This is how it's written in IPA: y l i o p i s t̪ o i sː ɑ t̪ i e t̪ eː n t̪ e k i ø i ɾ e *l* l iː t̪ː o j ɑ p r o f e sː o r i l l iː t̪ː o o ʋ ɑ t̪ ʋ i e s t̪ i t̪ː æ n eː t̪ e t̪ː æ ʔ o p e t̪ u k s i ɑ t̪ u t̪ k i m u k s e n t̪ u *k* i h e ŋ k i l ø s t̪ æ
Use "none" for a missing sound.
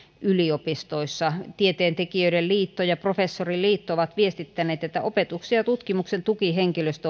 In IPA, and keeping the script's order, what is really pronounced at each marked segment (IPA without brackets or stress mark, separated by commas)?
l, k